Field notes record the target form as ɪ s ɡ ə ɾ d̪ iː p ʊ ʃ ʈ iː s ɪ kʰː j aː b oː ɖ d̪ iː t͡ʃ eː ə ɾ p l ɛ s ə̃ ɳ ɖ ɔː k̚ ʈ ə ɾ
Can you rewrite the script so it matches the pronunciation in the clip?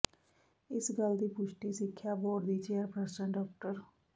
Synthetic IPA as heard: ɪ s ɡ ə l d̪ iː p ʊ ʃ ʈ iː s ɪ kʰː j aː b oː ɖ d̪ iː t͡ʃ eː ə ɾ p ɾ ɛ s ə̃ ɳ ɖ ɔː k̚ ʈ ə ɾ